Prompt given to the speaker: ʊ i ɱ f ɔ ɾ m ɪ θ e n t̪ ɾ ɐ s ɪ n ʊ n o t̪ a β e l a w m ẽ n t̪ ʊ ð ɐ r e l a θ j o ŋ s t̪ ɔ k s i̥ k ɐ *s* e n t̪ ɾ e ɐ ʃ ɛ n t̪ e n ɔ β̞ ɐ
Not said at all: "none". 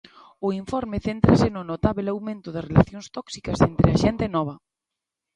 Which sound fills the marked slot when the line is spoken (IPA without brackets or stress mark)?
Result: s